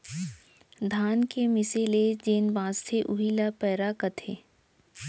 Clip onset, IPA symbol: d̪ʱ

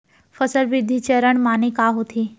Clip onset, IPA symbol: f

